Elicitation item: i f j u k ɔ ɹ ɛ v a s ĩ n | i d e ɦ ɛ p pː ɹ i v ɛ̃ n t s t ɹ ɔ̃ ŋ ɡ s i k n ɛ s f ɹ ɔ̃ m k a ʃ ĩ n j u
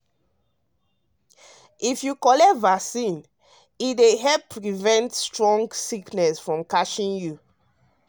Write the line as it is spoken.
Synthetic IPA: i f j u k ɔ l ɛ v a s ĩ n | i d e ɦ ɛ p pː ɹ i v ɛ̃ n t s t ɹ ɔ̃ ŋ ɡ s i k n ɛ s f ɹ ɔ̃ m k a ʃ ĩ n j u